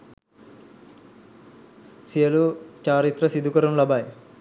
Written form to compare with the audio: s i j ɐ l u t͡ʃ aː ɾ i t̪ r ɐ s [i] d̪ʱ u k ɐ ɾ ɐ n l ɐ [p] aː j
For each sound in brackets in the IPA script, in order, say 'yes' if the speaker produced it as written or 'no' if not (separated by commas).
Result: yes, no